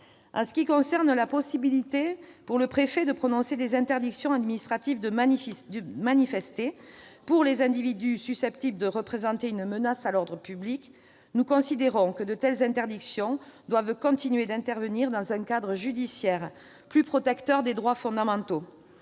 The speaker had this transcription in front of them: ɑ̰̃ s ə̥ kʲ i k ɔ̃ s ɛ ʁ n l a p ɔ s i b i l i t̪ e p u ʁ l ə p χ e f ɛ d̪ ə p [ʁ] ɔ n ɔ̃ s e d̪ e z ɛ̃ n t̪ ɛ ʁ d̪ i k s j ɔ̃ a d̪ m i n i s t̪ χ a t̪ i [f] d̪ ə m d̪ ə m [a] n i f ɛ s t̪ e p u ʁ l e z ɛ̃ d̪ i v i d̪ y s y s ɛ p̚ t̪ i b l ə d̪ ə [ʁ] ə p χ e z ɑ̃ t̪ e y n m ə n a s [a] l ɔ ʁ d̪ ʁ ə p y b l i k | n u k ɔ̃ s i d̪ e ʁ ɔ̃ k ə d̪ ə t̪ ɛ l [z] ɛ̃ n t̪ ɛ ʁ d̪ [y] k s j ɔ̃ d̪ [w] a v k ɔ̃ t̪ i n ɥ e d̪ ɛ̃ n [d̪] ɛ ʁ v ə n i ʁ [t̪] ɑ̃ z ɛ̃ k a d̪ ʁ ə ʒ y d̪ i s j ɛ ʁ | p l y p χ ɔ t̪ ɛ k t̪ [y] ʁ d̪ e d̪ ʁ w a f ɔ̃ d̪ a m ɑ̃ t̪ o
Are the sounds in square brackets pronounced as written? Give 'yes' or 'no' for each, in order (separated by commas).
no, no, yes, yes, yes, yes, no, yes, no, no, no